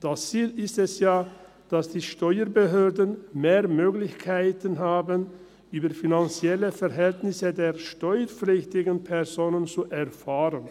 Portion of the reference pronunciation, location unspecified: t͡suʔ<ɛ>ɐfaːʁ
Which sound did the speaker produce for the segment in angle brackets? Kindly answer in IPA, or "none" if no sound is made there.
ɛ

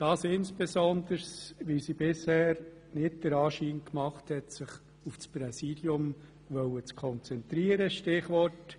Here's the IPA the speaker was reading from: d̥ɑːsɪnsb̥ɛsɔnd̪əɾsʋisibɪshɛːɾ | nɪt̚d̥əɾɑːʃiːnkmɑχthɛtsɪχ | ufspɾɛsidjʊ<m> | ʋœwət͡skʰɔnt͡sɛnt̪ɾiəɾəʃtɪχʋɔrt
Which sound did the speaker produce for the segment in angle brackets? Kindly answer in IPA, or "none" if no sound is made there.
m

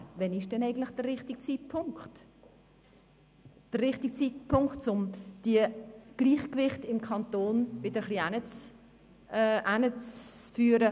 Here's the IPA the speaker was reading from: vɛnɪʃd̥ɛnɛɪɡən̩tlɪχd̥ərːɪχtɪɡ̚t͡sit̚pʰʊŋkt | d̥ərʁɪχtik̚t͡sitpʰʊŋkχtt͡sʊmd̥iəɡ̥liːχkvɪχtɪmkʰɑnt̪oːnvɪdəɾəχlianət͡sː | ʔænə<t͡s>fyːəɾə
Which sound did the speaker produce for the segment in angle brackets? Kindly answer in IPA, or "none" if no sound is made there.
t͡s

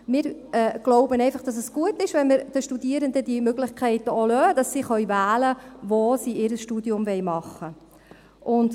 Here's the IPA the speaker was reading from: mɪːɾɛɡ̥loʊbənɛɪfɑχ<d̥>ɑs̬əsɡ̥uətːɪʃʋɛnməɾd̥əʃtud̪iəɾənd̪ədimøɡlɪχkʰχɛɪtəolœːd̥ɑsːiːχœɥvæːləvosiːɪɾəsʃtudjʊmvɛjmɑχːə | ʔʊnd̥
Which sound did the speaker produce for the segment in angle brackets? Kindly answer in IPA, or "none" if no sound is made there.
d̥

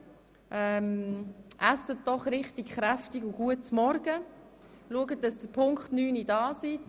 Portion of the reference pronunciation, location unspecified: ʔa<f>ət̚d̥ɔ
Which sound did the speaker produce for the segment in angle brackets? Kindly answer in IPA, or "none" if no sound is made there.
s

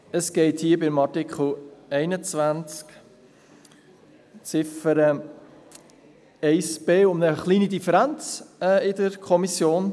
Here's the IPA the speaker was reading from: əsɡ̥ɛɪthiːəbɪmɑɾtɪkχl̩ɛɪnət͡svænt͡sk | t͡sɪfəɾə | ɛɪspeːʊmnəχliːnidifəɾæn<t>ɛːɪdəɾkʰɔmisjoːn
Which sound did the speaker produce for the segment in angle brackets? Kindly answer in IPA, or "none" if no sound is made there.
t͡s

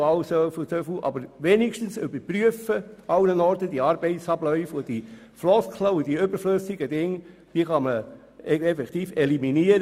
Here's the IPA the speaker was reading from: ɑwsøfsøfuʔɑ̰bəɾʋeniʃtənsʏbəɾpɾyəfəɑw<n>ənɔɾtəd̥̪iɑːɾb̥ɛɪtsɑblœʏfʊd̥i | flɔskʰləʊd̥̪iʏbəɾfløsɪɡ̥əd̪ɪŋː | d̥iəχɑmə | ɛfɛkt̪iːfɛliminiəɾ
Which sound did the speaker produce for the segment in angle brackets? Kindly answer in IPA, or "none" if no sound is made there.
n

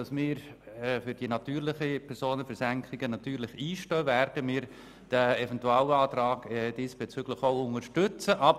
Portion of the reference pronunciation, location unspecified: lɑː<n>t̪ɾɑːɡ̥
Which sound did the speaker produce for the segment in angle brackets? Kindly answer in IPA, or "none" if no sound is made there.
none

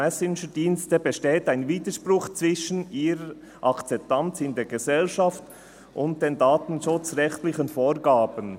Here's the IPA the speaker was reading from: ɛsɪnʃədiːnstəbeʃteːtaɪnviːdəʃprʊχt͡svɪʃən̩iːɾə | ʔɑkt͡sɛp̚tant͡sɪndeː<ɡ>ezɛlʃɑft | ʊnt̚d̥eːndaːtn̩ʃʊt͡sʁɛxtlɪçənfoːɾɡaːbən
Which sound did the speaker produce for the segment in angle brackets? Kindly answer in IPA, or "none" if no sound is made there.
ɡ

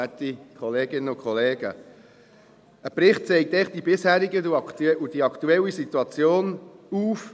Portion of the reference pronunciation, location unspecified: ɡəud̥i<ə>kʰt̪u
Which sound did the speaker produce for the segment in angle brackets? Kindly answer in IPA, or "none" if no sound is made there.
ɑ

